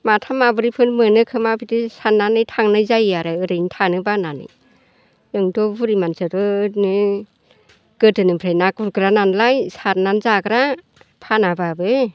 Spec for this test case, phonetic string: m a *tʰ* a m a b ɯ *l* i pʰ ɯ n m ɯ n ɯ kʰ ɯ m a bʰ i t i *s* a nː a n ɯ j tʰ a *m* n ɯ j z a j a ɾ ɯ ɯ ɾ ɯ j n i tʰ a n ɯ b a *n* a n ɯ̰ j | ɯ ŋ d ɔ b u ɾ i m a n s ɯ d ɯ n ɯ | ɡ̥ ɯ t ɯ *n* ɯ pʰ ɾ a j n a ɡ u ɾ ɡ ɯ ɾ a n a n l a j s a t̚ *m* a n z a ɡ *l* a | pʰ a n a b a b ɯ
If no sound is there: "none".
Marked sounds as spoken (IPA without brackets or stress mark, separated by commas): tʰ, ɾ, s, ŋ, n, n, n, ɾ